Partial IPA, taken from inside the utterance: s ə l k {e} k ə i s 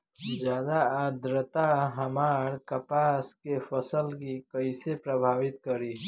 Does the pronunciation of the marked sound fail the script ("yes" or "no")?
yes